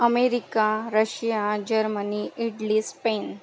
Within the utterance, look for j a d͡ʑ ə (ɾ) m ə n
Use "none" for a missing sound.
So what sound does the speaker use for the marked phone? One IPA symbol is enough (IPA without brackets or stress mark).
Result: ɾ